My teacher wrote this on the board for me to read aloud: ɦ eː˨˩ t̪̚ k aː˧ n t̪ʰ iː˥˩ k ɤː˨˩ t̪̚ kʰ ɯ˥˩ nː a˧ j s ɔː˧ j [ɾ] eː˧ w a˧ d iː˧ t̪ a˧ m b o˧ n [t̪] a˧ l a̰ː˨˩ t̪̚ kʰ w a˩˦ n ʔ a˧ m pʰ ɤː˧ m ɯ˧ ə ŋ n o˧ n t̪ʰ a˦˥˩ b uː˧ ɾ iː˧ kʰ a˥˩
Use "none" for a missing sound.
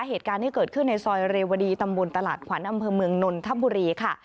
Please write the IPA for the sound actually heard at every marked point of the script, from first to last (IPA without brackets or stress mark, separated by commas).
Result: ɾ, t̪